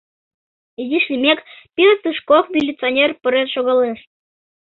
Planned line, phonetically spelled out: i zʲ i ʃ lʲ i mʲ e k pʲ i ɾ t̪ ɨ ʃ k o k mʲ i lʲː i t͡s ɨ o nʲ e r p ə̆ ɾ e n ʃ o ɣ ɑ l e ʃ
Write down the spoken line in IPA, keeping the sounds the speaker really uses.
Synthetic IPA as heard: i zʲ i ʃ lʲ i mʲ e k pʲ i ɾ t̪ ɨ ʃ k o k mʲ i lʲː i t͡s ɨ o nʲ e r p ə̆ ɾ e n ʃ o ɣ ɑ l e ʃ